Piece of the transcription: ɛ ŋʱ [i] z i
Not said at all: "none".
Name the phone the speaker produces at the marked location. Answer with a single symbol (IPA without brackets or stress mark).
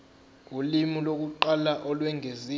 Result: e